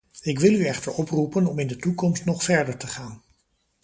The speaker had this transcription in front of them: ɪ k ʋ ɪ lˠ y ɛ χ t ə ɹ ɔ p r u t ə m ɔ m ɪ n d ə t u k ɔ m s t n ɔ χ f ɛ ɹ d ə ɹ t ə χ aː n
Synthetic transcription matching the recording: ɪ k ʋ ɪ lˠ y ɛ χ t ə ɹ ɔ p r u p ə n ɔ m ɪ n d ə t u k ɔ m s t n ɔ χ f ɛ ɹ d ə ɹ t ə χ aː n